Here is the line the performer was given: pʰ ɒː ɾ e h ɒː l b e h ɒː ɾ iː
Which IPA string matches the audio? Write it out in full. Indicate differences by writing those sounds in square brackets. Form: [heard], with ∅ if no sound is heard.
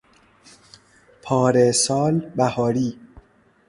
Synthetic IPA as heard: pʰ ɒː ɾ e [s] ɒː l b [æ] h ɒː ɾ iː